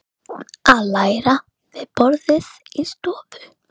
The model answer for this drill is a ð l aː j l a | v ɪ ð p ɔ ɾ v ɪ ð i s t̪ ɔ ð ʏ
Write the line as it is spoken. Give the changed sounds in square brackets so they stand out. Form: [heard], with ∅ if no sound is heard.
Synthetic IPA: a ð l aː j [ɾ] a | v ɪ ð p ɔ ɾ [ð] ɪ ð i s t̪ [ɔː] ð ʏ

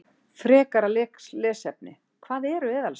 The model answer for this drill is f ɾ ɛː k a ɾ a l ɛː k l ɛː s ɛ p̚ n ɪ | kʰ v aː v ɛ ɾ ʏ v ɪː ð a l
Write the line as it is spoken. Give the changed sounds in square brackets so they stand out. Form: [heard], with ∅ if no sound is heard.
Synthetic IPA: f ɾ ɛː k a ɾ a l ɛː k l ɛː s ɛ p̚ n ɪ | kʰ v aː [ð] ɛ ɾ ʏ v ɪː ð a l

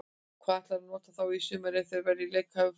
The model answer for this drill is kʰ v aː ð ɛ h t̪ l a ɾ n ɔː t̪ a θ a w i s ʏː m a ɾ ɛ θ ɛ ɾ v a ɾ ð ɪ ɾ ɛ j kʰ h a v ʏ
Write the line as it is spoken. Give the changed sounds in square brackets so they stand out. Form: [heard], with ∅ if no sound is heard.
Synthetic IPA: kʰ v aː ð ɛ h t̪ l a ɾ n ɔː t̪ a θ a w i s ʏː m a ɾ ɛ θ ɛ ɾ v [ɛ] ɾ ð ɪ [l] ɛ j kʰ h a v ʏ

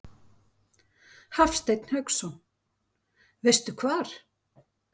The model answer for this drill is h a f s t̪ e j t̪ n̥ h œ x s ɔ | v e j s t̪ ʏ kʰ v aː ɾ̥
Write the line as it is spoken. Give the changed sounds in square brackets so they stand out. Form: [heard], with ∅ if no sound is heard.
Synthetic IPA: h a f s t̪ e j t̪ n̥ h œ [k] s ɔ | v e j s t̪ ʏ kʰ v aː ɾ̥

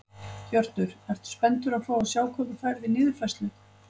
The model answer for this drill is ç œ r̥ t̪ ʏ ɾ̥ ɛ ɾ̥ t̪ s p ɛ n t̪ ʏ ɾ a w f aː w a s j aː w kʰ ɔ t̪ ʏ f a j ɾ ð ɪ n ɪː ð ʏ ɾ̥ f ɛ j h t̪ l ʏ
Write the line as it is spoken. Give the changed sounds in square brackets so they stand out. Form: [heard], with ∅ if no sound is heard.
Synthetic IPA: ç œ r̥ t̪ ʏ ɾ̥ ɛ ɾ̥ t̪ s p ɛ n t̪ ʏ ɾ a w f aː w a s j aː w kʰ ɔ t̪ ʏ f a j ɾ ð ɪ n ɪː ð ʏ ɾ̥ f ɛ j [s] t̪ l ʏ

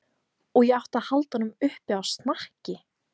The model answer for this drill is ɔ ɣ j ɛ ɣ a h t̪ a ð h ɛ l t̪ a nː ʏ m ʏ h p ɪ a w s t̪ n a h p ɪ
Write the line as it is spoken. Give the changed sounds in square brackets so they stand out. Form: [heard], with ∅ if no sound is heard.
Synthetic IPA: ɔ ɣ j ɛ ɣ a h t̪ a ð h [a] l t̪ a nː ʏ m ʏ h p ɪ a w s t̪ n a h [c] ɪ

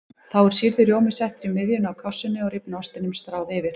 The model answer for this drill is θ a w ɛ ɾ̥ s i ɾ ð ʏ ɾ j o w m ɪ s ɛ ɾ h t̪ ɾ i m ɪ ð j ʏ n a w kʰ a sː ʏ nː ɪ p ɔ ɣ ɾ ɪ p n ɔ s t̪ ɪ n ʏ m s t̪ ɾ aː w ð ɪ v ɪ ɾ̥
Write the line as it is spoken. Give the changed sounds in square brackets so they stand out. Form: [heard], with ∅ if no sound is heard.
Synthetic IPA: θ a w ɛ ɾ̥ s i ɾ ð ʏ ɾ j o w m ɪ s ɛ [∅] h t̪ ɾ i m ɪ ð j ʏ n a w kʰ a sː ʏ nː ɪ [∅] ɔ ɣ ɾ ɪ p n ɔ s t̪ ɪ n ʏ m s t̪ ɾ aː w ð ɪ v ɪ ɾ̥

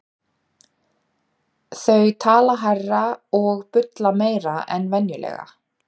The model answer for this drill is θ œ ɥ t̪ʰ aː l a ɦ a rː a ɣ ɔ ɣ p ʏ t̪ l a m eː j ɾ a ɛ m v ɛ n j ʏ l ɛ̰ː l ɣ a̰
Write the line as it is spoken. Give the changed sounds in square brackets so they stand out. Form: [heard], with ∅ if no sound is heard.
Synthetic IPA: θ œ ɥ t̪ʰ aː l a ɦ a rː a [∅] ɔ ɣ p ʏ t̪ l a m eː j ɾ a ɛ [n] v ɛ n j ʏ l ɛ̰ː [∅] ɣ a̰

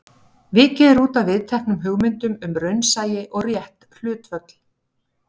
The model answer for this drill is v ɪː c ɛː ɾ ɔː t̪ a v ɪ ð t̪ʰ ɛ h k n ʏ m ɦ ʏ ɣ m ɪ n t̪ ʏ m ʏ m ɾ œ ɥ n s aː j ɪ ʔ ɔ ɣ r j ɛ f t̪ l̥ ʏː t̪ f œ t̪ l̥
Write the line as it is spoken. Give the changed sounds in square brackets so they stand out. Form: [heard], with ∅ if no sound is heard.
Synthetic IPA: v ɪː c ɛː ɾ [uː] t̪ a v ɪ ð t̪ʰ ɛ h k n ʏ m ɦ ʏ ɣ m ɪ n t̪ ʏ m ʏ m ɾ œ ɥ n s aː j ɪ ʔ ɔ ɣ r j ɛ [h] t̪ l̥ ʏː t̪ f œ t̪ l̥

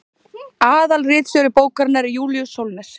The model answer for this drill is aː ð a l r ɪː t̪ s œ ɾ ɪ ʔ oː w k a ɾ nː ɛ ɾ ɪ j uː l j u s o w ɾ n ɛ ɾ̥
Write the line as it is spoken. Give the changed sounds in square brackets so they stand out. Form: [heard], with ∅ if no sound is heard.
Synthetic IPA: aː ð a l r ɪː t̪ s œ ɾ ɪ [p] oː w k a ɾ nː [a] ɾ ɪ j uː l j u s o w [l] n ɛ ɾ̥

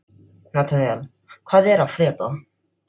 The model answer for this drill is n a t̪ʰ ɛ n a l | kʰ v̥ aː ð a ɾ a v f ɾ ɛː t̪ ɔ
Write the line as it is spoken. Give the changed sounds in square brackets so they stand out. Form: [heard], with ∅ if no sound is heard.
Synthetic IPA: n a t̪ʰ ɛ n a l | kʰ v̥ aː ð [ɛ] ɾ a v f ɾ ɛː t̪ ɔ

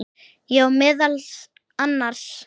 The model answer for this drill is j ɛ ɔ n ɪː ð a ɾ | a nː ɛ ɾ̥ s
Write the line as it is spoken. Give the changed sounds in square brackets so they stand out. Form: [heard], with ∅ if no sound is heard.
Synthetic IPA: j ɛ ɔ [m] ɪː ð a [l] | a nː [a] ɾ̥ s

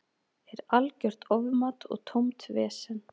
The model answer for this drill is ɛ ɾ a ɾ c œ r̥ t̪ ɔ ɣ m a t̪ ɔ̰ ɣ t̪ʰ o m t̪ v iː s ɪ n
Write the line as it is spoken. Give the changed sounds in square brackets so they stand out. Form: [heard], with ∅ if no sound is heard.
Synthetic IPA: ɛ ɾ a [l] c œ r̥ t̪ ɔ [v] m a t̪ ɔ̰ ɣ t̪ʰ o m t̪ v [ɛː] s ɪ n

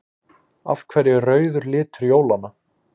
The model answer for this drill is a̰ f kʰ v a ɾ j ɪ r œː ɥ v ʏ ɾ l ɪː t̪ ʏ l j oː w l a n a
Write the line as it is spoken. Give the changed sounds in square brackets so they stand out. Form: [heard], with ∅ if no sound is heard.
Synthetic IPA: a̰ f kʰ v [ɛ] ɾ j ɪ r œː ɥ [ð] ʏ ɾ l ɪː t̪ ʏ [ɾ] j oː w l a n a

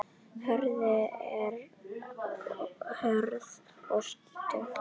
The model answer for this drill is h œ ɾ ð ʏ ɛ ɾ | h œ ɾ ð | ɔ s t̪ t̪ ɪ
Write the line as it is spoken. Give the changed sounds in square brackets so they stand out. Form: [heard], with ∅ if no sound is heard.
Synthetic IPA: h œ ɾ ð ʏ ɛ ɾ | h œ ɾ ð | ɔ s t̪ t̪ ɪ

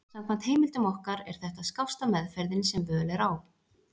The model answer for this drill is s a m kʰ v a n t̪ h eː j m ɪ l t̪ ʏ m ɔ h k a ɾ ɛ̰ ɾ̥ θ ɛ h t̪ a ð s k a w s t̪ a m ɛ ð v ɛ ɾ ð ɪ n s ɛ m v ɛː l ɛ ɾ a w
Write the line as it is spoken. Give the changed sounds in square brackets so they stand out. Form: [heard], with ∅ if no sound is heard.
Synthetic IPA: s a m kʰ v a n t̪ h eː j m ɪ l t̪ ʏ m ɔ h k a ɾ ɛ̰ ɾ̥ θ ɛ h t̪ a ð s k a w s t̪ a m ɛ ð [f] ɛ ɾ ð ɪ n s ɛ m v [œː] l ɛ ɾ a w

